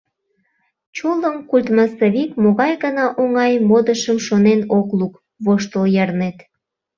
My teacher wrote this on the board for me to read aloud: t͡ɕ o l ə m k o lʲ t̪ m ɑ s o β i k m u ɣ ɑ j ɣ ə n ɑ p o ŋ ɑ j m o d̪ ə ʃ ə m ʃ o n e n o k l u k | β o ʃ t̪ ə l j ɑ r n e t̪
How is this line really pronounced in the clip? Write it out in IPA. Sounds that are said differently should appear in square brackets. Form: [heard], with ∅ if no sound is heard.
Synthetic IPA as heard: t͡ɕ o l ə m k [u] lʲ t̪ m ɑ s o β i k m [o] ɣ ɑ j ɣ ə n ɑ [ʔ] o ŋ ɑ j m o d̪ ə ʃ ə m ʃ o n e n o k l u k | β o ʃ t̪ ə l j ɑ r n e t̪

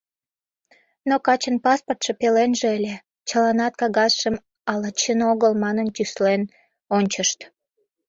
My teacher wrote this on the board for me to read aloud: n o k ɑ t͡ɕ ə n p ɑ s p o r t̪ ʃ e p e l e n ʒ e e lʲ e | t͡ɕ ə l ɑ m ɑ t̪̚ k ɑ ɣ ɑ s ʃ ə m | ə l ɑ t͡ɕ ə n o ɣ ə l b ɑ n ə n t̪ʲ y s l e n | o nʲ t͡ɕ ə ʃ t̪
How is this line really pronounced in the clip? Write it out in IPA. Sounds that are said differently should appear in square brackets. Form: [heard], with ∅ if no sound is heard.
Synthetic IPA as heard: n o k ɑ t͡ɕ ə n p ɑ s p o r t̪ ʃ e p e l e n ʒ e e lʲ e | t͡ɕ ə l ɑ [n] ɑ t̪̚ k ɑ ɣ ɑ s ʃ ə m | [ɑ] l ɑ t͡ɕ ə n o ɣ ə l [m] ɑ n ə n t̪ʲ y s l e n | o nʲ t͡ɕ ə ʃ t̪

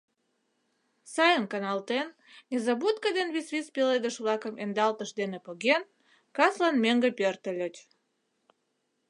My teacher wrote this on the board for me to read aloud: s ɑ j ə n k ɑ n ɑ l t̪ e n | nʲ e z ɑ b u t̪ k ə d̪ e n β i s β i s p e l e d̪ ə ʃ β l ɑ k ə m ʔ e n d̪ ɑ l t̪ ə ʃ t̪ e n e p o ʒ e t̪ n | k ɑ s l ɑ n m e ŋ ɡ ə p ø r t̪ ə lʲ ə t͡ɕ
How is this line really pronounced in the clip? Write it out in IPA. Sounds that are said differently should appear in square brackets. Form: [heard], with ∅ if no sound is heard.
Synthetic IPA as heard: s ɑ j ə n k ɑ n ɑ l t̪ e n | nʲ e z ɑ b u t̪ k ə d̪ e n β i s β i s p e l e d̪ ə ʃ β l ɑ k ə m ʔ e n d̪ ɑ l t̪ ə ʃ [d̪] e n e p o [ɣ] e [∅] n | k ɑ s l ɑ n m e ŋ ɡ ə p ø r t̪ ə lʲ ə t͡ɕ

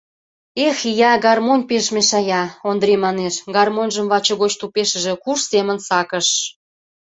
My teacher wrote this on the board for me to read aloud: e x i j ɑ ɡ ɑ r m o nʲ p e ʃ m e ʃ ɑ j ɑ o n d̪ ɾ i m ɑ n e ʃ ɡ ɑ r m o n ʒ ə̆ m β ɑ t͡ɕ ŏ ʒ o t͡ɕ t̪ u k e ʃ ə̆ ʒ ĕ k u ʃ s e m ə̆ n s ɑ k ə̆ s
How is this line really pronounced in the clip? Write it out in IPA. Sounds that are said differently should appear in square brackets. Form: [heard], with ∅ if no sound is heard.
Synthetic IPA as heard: e x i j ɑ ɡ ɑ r m o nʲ p e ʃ m e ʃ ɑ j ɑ o n d̪ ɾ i m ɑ n e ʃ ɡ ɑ r m o n ʒ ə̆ m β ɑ t͡ɕ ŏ [ɣ] o t͡ɕ t̪ u [p] e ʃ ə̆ ʒ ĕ k u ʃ s e m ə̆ n s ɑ k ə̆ [ʃ]

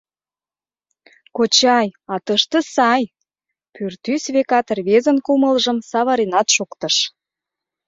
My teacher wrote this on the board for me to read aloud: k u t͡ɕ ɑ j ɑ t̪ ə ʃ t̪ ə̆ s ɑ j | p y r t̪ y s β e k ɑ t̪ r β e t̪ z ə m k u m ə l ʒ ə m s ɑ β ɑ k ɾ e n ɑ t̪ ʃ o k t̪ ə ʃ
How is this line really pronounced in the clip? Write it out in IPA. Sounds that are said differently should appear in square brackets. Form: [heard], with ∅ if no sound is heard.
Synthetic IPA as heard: k [o] t͡ɕ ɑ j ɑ t̪ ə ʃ t̪ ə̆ s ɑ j | p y r t̪ y s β e k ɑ t̪ r β e [∅] z ə [n] k u m ə l ʒ ə m s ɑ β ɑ [∅] ɾ e n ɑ t̪ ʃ o k t̪ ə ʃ

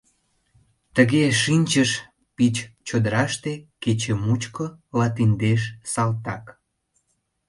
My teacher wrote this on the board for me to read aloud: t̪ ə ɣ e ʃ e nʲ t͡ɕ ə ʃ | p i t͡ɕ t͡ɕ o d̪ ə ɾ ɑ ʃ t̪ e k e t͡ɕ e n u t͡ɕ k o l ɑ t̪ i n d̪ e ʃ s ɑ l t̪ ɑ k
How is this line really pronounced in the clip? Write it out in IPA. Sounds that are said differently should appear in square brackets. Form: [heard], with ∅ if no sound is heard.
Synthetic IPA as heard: t̪ ə ɣ e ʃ [i] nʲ t͡ɕ ə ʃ | p i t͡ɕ t͡ɕ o d̪ ə ɾ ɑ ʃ t̪ e k e t͡ɕ e [m] u t͡ɕ k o l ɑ t̪ i n d̪ e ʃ s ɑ l t̪ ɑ k

